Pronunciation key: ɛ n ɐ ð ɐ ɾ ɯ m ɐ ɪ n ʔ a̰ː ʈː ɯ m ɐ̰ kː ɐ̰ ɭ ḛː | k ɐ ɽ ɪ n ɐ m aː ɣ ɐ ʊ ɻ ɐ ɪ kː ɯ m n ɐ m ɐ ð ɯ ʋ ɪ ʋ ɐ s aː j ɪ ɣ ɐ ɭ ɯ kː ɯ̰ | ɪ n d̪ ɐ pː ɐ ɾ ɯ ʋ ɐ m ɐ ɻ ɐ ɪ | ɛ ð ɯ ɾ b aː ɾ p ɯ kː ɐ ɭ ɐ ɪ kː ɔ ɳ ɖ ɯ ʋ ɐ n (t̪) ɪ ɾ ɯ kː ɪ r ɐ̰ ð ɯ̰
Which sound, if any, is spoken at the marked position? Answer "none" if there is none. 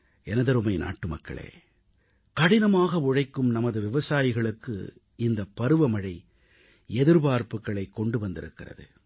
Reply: d̪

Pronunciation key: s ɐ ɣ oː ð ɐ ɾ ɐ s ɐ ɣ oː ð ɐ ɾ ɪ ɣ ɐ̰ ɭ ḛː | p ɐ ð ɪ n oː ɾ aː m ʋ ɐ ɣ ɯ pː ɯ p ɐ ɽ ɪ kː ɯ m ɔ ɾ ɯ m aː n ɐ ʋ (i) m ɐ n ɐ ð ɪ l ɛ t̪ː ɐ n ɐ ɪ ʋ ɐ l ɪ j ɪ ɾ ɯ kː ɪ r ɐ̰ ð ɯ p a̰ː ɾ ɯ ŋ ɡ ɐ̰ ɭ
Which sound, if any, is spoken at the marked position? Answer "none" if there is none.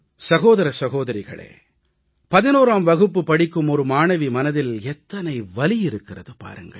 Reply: i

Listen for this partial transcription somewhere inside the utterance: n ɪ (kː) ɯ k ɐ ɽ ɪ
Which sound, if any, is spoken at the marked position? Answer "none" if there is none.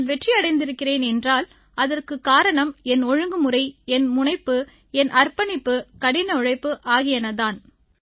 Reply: pː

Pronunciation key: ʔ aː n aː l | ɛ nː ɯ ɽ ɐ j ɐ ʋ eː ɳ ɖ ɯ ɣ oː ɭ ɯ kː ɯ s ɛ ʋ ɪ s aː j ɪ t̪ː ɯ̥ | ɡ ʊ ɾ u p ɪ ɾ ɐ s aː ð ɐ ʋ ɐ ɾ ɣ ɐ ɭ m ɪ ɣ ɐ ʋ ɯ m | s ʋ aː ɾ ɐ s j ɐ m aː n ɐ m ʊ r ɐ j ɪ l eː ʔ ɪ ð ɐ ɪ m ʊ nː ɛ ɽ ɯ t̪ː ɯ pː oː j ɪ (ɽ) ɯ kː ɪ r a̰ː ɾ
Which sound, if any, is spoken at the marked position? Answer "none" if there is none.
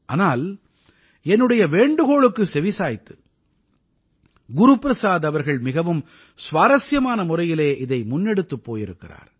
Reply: ɾ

